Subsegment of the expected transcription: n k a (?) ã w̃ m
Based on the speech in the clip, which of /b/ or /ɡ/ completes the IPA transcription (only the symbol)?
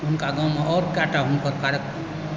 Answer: ɡ